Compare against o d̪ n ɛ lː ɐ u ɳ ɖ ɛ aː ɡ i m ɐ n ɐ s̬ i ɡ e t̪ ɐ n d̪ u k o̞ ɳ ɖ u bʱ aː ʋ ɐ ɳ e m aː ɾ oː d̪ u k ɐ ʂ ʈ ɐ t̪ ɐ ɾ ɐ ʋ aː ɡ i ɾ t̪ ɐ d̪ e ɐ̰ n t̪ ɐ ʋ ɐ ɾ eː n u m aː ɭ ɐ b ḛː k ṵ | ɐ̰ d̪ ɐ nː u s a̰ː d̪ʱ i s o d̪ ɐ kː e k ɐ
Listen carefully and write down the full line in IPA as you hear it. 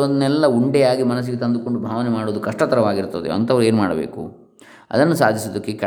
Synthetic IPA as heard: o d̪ n ɛ lː ɐ u ɳ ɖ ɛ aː ɡ i m ɐ n ɐ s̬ i ɡ e t̪ ɐ n d̪ u k o̞ ɳ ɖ u bʱ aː ʋ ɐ n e m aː ɽ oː d̪ u k ɐ ʂ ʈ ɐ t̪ ɐ ɾ ɐ ʋ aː ɡ i ɾ t̪ ɐ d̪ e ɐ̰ n t̪ ɐ ʋ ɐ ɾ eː n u m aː ɽ ɐ b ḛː k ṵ | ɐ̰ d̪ ɐ nː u s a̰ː d̪ʱ i s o d̪ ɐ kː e k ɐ